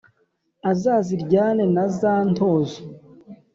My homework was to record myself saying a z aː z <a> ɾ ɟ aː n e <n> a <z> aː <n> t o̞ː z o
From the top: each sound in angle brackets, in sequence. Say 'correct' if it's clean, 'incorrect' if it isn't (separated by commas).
incorrect, correct, correct, correct